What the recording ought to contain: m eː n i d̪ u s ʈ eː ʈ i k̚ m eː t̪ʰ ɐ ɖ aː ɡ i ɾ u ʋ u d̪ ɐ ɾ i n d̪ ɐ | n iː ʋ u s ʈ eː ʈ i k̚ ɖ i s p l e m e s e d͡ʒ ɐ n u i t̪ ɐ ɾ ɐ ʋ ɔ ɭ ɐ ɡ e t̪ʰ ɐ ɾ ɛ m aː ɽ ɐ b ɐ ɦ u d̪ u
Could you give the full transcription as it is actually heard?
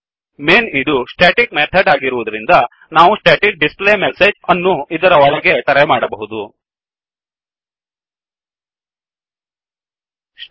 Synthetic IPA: m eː n i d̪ u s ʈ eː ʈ i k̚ m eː t̪ʰ ɐ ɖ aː ɡ i ɾ u ʋ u d̪ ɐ ɾ i n d̪ ɐ | n aː ʋ u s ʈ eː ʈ i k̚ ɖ i s p l e m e s e d͡ʒ ɐ nː u i d̪ ɐ ɾ ɐ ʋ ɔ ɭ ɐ ɡ e t̪ ɐ ɾ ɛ m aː ɽ ɐ b ɐ ɦ u d̪ u